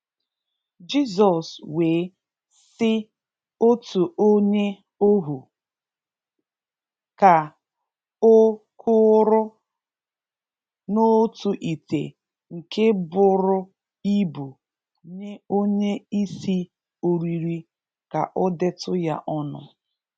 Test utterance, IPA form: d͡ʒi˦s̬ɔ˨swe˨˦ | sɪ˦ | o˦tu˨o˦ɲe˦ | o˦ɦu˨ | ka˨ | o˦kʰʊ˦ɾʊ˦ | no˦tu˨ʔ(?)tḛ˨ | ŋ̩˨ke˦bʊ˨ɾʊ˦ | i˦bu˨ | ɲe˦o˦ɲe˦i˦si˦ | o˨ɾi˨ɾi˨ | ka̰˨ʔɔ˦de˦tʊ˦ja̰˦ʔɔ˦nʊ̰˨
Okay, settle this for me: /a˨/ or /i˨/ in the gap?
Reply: i˨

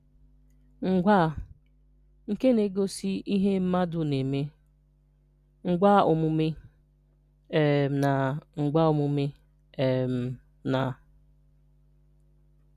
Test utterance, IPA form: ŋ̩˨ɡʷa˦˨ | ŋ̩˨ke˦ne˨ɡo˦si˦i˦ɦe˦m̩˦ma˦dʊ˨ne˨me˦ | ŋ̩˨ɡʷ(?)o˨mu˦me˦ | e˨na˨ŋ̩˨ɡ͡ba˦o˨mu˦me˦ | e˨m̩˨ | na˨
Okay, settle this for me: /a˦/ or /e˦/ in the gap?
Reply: a˦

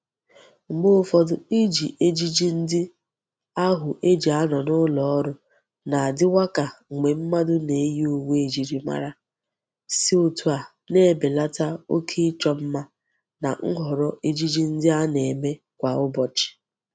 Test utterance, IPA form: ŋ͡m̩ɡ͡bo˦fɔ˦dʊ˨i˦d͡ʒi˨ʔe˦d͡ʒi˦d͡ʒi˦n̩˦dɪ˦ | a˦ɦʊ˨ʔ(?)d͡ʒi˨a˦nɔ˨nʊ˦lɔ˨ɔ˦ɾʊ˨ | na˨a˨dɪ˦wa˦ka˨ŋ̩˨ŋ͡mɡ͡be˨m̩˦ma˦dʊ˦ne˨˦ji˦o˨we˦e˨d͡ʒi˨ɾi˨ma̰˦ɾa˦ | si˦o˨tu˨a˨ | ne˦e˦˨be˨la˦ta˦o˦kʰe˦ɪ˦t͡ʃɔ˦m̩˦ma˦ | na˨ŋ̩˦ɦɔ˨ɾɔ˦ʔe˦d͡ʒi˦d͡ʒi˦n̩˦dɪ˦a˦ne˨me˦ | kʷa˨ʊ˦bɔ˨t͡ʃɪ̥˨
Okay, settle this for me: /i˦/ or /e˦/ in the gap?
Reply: e˦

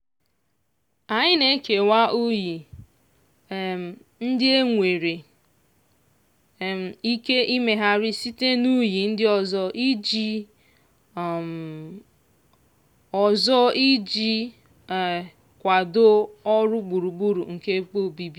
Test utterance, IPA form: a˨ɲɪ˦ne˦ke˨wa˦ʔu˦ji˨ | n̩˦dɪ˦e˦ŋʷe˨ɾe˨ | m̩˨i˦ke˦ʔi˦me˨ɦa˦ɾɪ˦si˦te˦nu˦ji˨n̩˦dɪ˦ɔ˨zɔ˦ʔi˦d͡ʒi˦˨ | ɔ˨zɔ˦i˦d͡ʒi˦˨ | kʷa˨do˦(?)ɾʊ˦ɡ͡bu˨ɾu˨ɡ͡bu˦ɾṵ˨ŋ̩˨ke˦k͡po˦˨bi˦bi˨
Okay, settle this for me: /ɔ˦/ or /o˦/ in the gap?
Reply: ɔ˦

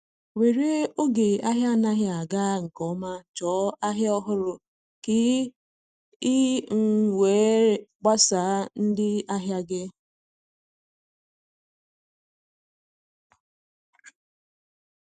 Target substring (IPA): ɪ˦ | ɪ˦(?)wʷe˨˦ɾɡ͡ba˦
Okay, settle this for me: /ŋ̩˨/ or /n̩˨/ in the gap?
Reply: ŋ̩˨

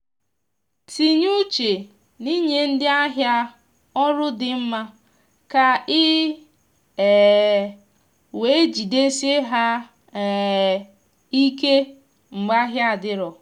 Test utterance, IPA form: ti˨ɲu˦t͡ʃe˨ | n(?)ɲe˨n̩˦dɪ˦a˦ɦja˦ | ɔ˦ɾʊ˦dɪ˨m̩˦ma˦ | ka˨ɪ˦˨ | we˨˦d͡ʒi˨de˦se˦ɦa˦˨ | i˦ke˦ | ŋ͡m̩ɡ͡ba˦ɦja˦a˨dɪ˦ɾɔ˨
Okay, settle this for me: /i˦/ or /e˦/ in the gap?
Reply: i˦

